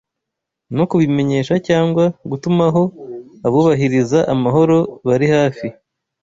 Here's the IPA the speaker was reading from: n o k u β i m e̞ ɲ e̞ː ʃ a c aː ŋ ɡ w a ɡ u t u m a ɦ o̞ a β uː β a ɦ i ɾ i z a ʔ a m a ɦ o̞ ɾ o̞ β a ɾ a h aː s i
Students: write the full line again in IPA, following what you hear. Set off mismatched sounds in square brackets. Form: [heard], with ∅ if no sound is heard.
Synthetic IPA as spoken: n o k u β i m e̞ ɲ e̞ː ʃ a c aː ŋ ɡ w a ɡ u t u m a ɦ o̞ a β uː β a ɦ i ɾ i z a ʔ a m a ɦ o̞ ɾ o̞ β a ɾ [i] h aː [f] i